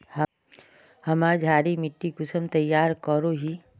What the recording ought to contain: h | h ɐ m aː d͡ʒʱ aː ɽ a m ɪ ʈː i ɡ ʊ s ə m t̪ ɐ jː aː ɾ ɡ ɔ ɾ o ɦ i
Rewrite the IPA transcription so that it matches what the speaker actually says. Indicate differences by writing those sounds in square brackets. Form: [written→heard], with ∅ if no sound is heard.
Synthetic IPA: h | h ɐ m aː d͡ʒʱ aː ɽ [a→i] m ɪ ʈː i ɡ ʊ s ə m t̪ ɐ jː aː ɾ [ɡ→k] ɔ ɾ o ɦ i